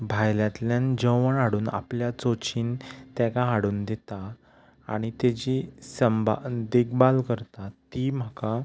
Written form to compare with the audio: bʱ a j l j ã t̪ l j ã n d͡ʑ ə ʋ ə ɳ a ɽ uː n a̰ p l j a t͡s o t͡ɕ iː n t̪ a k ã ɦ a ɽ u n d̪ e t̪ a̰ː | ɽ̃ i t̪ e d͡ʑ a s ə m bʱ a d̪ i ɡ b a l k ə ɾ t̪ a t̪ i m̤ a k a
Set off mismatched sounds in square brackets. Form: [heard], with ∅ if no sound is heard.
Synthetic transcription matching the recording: bʱ a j l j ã t̪ l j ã n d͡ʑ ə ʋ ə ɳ a ɽ uː n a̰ p l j a t͡s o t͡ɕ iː n t̪ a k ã ɦ a ɽ [uː] n d̪ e t̪ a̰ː | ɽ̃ i t̪ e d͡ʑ [i] s ə m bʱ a d̪ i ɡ b a l k ə ɾ t̪ a t̪ i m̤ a k a